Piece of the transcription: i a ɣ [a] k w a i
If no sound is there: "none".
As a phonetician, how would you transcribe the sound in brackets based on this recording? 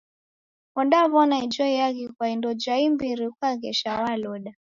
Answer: i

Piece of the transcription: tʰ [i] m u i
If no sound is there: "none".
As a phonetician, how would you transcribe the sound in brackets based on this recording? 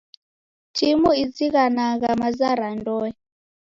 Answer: i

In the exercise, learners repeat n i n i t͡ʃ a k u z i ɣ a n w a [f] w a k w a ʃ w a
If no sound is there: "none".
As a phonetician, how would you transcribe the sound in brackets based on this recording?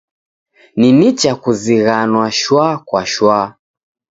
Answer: ʃ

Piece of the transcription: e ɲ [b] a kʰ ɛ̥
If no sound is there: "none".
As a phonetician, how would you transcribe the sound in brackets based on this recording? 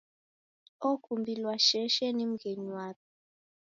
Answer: w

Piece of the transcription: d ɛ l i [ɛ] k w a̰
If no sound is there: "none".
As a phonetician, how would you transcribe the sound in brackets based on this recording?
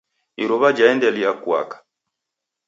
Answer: a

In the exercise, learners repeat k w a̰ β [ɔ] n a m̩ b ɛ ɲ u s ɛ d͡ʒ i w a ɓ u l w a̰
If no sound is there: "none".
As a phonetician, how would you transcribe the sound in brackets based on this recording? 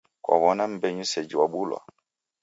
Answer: ɔ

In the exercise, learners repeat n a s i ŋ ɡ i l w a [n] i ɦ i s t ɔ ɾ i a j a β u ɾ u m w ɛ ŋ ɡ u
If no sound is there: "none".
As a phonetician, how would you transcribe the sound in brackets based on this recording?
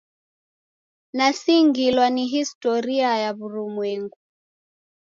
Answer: n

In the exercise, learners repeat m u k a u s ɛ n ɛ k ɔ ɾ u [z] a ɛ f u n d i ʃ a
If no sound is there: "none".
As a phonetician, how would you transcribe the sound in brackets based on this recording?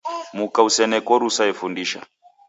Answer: s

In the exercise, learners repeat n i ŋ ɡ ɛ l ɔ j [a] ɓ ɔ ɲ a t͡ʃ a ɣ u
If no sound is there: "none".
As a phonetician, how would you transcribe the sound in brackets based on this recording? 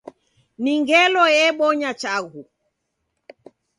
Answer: ɛ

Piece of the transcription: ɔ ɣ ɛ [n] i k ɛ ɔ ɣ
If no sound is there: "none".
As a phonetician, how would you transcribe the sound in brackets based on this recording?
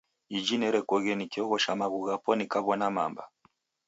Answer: n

